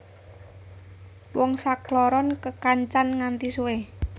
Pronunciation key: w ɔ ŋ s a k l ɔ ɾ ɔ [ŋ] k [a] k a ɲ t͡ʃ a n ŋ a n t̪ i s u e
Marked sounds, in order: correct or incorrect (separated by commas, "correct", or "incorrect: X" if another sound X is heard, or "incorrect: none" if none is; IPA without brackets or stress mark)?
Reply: incorrect: n, incorrect: ə